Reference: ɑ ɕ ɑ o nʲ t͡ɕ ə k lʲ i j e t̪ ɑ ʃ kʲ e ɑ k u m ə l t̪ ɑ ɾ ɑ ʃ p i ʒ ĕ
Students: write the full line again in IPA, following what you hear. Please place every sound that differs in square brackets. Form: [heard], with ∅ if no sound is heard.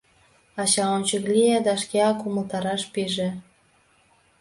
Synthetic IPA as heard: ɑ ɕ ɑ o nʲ t͡ɕ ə k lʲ i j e [d̪] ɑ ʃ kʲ e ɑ k u m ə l t̪ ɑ ɾ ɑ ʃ p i ʒ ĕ

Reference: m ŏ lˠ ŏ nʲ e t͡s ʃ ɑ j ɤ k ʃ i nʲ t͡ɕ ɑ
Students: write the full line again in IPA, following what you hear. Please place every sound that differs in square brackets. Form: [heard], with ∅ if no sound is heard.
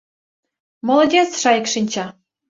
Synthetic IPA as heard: m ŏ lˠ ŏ [dʲ] e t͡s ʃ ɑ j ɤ k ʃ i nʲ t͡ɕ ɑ

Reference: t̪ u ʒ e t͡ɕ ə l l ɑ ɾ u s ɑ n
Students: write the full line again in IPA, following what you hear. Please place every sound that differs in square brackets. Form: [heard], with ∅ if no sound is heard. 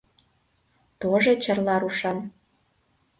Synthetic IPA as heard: t̪ [o] ʒ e t͡ɕ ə [r] l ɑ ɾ u [ʃ] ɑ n

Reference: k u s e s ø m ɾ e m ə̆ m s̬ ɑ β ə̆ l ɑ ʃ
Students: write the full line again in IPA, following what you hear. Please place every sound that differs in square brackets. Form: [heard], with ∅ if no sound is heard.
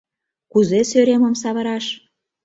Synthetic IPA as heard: k u [z] e s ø [∅] ɾ e m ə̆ m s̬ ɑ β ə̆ [ɾ] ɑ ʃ

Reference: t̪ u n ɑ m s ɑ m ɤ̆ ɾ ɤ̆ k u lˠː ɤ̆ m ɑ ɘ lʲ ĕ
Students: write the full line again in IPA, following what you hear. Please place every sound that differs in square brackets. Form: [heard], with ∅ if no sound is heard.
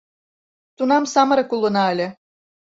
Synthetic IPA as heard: t̪ u n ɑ m s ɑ m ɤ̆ ɾ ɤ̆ k u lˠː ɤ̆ [n] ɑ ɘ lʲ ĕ

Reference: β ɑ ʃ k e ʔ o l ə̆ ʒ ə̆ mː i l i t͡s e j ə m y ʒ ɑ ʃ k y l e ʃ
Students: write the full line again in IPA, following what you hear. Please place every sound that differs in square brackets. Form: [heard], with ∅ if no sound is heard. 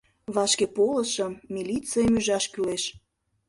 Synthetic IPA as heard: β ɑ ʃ k e [p] o l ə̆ [ʃ] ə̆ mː i l i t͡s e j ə m y ʒ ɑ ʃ k y l e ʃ

